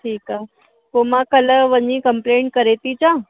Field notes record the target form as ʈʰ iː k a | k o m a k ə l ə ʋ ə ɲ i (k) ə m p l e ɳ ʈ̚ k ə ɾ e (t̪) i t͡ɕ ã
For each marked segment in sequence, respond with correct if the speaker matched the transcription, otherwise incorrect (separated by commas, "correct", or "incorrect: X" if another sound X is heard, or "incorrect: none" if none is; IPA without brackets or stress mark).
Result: correct, correct